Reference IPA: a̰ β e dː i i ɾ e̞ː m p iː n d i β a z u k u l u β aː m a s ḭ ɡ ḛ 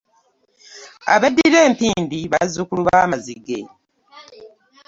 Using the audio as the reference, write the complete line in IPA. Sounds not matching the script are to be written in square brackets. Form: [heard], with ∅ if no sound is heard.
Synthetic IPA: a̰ β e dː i i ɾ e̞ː m p iː n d i β a z u k u l u β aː m a [z] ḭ ɡ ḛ